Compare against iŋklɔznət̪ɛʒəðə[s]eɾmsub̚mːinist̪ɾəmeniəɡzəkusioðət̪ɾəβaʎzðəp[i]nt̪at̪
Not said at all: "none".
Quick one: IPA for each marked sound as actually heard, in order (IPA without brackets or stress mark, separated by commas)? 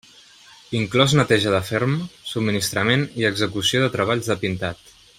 f, i